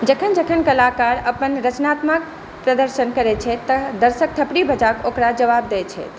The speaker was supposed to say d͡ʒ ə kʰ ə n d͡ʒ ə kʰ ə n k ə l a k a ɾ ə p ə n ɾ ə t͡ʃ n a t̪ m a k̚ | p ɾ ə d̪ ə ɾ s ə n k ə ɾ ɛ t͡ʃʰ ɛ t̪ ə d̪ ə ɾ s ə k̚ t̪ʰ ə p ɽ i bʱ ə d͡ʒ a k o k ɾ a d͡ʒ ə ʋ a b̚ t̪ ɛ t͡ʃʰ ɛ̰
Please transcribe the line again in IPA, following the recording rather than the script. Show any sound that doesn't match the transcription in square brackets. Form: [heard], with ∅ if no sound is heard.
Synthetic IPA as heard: d͡ʒ ə kʰ ə n d͡ʒ ə kʰ ə n k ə l a k a ɾ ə p ə n ɾ ə t͡ʃ n a t̪ m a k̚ | p ɾ ə d̪ ə ɾ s ə n k ə ɾ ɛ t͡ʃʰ ɛ t̪ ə d̪ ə ɾ s ə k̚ t̪ʰ ə p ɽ i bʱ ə d͡ʒ a k o k ɾ a d͡ʒ ə ʋ a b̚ [d̪] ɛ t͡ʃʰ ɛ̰